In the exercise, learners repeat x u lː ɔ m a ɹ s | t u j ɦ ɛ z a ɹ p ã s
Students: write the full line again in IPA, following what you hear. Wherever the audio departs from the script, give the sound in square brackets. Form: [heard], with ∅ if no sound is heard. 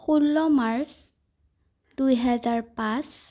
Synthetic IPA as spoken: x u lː ɔ m a ɹ s | [d] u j ɦ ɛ z a ɹ p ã s